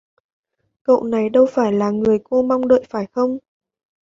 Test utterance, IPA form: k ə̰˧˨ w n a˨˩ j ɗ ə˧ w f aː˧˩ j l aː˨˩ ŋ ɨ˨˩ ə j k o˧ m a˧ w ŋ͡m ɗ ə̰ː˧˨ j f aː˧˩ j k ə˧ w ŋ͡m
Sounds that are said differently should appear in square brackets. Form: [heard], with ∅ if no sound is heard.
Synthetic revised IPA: k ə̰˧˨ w n a˨˩ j ɗ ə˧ w f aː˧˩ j l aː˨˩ ŋ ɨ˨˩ ə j k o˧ m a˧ w ŋ͡m ɗ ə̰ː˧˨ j f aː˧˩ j [x] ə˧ w ŋ͡m